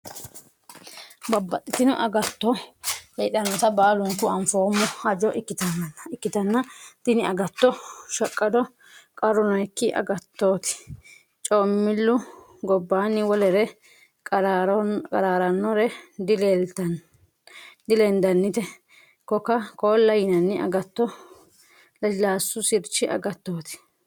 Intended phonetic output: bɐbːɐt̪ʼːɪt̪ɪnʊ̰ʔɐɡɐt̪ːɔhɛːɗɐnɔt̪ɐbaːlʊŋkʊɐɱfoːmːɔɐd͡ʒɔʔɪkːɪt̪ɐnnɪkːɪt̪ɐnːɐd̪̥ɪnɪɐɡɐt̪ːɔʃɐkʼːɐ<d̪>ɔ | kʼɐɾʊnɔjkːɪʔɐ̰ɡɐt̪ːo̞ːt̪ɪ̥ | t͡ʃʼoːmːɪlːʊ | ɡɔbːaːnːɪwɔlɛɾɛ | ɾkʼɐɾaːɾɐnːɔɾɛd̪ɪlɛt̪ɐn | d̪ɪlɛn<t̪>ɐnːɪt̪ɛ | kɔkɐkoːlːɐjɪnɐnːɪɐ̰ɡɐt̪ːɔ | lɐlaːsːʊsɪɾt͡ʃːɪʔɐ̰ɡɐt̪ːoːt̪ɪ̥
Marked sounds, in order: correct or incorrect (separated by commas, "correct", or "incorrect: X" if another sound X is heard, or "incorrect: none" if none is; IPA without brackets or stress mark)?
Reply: correct, incorrect: d̪